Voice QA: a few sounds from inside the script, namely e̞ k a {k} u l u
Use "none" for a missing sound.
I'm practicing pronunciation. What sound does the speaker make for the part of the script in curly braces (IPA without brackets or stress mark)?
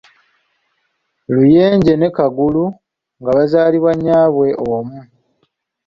ɡ